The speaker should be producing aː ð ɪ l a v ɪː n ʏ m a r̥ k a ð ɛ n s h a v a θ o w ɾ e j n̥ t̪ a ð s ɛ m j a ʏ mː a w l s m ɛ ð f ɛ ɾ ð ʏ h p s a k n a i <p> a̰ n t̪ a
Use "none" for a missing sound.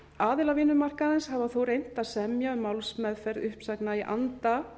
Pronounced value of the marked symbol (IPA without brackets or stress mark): ʔ